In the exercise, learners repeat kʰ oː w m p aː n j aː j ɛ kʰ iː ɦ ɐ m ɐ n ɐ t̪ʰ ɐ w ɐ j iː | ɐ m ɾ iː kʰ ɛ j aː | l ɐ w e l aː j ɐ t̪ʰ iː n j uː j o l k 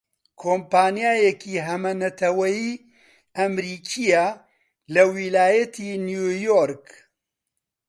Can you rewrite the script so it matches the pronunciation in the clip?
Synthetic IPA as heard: kʰ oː m p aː n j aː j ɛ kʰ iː ɦ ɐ m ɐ n ɐ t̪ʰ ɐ w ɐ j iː | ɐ m ɾ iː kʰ i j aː | l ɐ w i l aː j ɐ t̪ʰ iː n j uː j o ɾ k